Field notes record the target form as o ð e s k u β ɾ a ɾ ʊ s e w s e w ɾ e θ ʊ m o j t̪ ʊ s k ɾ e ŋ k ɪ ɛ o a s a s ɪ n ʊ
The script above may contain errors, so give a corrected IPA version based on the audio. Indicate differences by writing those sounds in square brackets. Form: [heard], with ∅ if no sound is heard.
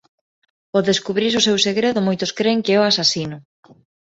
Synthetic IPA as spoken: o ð e s k u β ɾ [i] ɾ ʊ s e w s e [ɣ] ɾ e [ð] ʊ m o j t̪ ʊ s k ɾ e ŋ k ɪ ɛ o a s a s [i] n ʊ